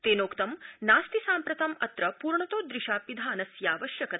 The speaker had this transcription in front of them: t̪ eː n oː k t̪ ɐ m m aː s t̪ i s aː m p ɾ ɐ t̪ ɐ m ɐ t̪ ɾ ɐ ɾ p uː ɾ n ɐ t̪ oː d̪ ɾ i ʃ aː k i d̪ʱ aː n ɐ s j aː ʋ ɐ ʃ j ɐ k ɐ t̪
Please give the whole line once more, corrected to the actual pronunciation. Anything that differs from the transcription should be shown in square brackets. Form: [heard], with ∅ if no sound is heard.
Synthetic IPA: t̪ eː n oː k t̪ ɐ m [n] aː s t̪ i s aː m p ɾ ɐ t̪ ɐ m ɐ t̪ ɾ ɐ [∅] p uː ɾ [ɳ] ɐ t̪ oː d̪ ɾ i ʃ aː [p] i d̪ʱ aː n ɐ s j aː ʋ ɐ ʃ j ɐ k ɐ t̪

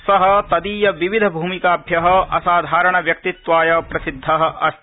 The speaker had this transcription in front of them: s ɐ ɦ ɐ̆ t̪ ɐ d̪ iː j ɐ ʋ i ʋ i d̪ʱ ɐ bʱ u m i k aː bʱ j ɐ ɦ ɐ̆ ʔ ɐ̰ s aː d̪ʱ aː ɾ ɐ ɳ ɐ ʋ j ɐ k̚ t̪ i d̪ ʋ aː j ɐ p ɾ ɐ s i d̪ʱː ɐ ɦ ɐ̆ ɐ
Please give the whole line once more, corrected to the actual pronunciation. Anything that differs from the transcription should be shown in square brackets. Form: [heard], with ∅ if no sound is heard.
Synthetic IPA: s ɐ ɦ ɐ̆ t̪ ɐ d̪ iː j ɐ ʋ i ʋ i d̪ʱ ɐ bʱ [uː] m i k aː bʱ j ɐ ɦ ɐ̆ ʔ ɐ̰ s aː d̪ʱ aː ɾ ɐ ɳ ɐ ʋ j ɐ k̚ t̪ i [t̪] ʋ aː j ɐ p ɾ ɐ s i d̪ʱː ɐ ɦ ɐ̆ ɐ

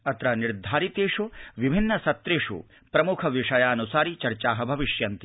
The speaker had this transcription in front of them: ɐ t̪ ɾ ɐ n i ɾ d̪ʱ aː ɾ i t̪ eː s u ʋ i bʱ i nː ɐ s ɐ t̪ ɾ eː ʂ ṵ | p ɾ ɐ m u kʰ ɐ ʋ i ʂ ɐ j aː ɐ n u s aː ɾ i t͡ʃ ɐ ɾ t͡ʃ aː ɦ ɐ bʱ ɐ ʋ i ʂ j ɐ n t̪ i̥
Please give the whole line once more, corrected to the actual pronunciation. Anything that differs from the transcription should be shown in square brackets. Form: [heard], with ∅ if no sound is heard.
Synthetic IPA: ɐ t̪ ɾ ɐ n i ɾ d̪ʱ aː ɾ i t̪ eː [ʂ] u ʋ i bʱ i nː ɐ s ɐ t̪ ɾ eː ʂ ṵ | p ɾ ɐ m u kʰ ɐ ʋ i ʂ ɐ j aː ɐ n u s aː ɾ i t͡ʃ ɐ ɾ t͡ʃ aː ɦ ɐ bʱ ɐ ʋ i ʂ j ɐ n t̪ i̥

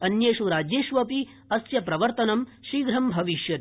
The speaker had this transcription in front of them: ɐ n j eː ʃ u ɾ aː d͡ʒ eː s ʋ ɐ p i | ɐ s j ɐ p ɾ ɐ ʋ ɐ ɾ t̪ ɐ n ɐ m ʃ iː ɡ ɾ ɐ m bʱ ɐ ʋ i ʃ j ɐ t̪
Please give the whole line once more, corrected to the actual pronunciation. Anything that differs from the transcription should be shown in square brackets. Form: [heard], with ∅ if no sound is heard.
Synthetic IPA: ɐ n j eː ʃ u ɾ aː d͡ʒ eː [ʃ] ʋ ɐ p i | ɐ s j ɐ p ɾ ɐ ʋ ɐ ɾ t̪ ɐ n ɐ m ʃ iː ɡ ɾ ɐ m bʱ ɐ ʋ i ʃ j ɐ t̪

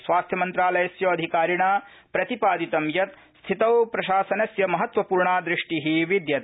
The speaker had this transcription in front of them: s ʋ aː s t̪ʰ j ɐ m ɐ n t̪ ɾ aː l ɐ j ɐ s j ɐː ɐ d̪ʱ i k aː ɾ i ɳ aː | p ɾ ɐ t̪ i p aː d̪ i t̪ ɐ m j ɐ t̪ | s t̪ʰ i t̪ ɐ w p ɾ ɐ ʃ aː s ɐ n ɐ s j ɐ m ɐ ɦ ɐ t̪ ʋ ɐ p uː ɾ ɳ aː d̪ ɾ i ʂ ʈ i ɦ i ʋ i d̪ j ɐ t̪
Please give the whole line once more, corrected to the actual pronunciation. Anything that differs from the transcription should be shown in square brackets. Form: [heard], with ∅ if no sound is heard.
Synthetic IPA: s ʋ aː s t̪ʰ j ɐ m ɐ n t̪ ɾ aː l ɐ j ɐ s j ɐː ɐ d̪ʱ i k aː ɾ i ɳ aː | p ɾ ɐ t̪ i p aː d̪ i t̪ ɐ m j ɐ t̪ | s t̪ʰ i t̪ ɐ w p ɾ ɐ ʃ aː s ɐ n ɐ s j ɐ m ɐ ɦ ɐ t̪ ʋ ɐ p uː ɾ ɳ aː d̪ ɾ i ʂ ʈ i ɦ i ʋ i d̪ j ɐ t̪

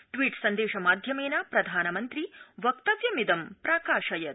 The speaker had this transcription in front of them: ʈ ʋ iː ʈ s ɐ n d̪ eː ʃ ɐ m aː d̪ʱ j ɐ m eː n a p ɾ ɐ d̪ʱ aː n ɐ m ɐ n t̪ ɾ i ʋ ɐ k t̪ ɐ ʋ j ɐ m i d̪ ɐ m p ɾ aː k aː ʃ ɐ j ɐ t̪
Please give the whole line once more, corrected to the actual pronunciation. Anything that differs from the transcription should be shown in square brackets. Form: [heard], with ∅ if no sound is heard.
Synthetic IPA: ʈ ʋ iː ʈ s ɐ n d̪ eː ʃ ɐ m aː d̪ʱ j ɐ m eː n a p ɾ ɐ d̪ʱ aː n ɐ m ɐ n t̪ ɾ i ʋ ɐ k t̪ ɐ ʋ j ɐ m i d̪ ɐ m p ɾ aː k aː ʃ ɐ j ɐ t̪

